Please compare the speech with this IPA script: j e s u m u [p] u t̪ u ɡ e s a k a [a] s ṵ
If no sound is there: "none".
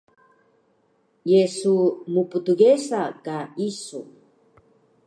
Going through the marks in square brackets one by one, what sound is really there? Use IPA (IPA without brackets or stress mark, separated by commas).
p, i